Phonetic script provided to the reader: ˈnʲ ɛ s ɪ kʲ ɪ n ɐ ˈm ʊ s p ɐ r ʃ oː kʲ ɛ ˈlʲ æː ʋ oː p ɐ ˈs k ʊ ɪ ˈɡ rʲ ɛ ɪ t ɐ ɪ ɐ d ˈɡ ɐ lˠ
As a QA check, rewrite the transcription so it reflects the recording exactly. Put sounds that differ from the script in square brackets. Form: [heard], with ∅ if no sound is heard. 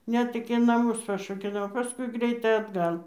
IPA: ˈnʲ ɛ [t] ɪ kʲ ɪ n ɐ ˈm ʊ s p ɐ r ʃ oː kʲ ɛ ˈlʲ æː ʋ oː p ɐ ˈs k ʊ ɪ ˈɡ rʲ ɛ ɪ t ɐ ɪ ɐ d ˈɡ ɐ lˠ